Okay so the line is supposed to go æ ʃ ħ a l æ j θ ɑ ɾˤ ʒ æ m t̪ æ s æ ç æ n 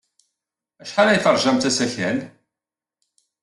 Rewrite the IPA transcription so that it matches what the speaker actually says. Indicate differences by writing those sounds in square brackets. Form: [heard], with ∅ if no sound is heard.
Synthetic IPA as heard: æ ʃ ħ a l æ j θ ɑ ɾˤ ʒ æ m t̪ æ s æ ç æ n